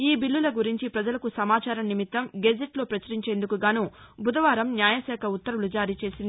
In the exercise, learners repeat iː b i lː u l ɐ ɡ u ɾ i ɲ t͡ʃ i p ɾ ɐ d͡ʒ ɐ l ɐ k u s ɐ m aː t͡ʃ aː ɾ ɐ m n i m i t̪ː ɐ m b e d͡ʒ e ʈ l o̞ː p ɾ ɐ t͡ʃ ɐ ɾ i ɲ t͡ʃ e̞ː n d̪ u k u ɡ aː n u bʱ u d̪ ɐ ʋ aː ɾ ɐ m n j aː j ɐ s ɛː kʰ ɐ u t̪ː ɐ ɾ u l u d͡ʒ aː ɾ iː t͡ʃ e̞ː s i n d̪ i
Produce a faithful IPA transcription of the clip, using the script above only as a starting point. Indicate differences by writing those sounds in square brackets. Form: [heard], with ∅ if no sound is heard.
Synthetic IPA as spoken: iː b i lː u l ɐ ɡ u ɾ i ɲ t͡ʃ i p ɾ ɐ d͡ʒ ɐ l ɐ k u s ɐ m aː t͡ʃ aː ɾ ɐ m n i m i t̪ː ɐ m [ɡ] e d͡ʒ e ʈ l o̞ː p ɾ ɐ t͡ʃ ɐ ɾ i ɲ t͡ʃ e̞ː n d̪ u k u ɡ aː n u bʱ u d̪ ɐ ʋ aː ɾ ɐ m n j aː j ɐ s ɛː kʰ ɐ u t̪ː ɐ ɾ u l u d͡ʒ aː ɾ iː t͡ʃ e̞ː s i n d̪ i